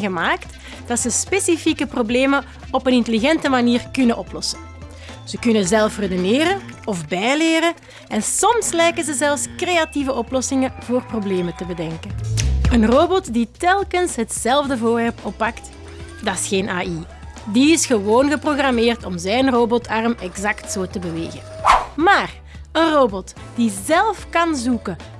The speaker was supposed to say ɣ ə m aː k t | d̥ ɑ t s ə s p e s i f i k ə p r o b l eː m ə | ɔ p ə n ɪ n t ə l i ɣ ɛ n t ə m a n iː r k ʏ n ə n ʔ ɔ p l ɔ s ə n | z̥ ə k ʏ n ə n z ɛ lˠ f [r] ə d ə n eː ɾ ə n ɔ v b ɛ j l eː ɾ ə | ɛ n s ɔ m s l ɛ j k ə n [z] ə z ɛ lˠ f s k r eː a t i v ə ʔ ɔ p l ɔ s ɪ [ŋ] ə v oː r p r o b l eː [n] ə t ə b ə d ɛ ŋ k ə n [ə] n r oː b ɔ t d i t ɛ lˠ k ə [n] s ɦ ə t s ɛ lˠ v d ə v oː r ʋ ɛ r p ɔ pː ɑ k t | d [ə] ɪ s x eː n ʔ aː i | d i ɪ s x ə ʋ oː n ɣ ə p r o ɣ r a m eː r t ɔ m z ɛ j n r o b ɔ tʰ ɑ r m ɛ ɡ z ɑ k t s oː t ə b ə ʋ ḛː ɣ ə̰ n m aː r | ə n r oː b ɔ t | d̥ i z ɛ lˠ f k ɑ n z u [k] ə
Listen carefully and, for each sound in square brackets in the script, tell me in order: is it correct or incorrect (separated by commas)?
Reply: correct, correct, correct, incorrect, correct, correct, incorrect, correct